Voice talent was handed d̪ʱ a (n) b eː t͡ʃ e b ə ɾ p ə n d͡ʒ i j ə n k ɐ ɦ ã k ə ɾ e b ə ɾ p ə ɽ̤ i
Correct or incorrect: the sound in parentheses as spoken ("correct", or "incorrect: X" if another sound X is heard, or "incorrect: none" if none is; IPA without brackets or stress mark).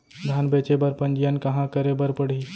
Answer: correct